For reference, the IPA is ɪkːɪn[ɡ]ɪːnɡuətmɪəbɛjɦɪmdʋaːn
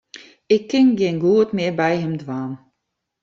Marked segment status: correct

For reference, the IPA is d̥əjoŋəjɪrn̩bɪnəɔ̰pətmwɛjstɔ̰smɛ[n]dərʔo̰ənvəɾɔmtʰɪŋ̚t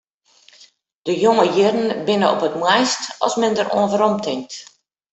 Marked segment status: correct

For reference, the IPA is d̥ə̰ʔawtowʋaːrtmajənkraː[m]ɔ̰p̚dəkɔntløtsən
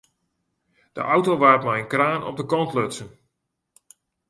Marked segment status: incorrect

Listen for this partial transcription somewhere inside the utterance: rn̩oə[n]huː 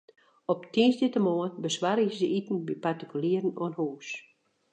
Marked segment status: correct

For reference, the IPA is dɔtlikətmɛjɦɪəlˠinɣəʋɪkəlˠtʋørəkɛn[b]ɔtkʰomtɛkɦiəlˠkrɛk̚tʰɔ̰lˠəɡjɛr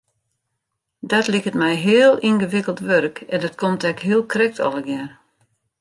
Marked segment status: incorrect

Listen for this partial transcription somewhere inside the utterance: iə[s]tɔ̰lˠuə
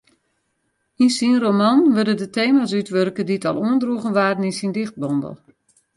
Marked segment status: incorrect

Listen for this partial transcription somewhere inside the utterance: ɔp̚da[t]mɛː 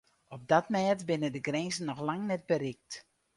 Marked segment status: correct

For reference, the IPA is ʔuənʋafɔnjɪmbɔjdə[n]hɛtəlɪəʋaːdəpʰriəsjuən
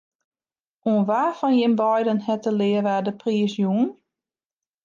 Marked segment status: correct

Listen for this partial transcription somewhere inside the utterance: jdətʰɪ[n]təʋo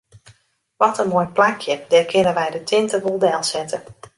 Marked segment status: correct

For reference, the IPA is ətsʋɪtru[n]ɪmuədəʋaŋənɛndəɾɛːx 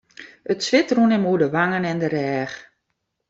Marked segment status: correct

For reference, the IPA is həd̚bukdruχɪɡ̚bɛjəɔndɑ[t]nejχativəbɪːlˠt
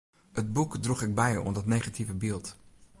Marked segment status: correct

